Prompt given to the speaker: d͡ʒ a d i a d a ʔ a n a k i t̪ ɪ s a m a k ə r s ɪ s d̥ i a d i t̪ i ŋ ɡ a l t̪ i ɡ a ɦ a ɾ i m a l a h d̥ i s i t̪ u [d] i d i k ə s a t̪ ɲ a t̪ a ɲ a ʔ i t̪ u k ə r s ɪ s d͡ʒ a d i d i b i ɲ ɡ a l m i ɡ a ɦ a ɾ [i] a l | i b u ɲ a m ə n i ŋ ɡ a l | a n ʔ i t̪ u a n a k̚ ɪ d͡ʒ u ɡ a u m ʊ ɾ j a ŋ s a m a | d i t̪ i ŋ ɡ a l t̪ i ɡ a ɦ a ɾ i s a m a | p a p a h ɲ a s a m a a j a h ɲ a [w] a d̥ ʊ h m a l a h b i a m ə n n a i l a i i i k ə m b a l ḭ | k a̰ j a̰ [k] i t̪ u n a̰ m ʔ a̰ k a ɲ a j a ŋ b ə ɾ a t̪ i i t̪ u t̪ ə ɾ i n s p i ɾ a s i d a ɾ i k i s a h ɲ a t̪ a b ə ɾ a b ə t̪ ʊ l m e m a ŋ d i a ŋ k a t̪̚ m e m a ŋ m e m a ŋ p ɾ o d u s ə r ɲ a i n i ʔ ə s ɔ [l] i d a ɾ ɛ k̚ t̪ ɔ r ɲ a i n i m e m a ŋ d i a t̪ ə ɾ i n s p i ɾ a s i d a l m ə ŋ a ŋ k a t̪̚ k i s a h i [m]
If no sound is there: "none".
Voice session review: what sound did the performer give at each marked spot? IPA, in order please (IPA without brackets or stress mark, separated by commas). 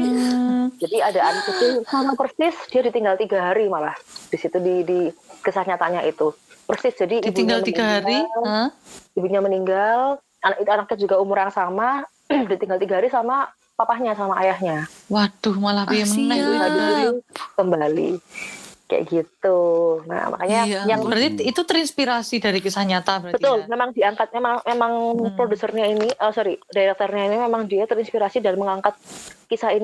d, i, w, ɡ, ɾ, n